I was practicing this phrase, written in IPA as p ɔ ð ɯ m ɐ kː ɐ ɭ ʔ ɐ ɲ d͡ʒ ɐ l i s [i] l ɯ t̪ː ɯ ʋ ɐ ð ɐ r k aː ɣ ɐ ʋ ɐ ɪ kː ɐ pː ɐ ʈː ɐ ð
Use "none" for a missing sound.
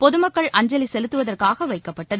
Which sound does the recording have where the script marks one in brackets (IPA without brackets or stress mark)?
ɛ